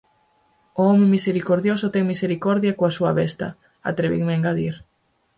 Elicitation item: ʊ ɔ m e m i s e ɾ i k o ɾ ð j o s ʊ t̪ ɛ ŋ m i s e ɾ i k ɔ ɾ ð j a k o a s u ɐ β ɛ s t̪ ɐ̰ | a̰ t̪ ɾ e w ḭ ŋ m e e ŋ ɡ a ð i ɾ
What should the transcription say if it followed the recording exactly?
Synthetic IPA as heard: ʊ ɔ m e m i s e ɾ i k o ɾ ð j o s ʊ t̪ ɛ ŋ m i s e ɾ i k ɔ ɾ ð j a k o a s u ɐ β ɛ s t̪ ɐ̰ | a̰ t̪ ɾ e β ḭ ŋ m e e ŋ ɡ a ð i ɾ